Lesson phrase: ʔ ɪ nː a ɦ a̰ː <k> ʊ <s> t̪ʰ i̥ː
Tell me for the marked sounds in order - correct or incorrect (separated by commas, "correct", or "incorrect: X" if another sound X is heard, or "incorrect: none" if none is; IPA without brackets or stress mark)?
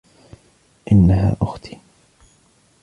incorrect: ʔ, incorrect: x